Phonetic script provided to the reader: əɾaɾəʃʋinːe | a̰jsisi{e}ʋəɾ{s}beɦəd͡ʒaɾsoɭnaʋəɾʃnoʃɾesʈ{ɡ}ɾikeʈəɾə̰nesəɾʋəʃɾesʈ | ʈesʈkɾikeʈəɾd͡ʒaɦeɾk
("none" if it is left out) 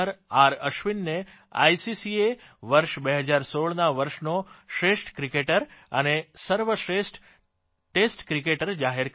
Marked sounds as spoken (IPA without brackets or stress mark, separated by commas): e, ʃ, k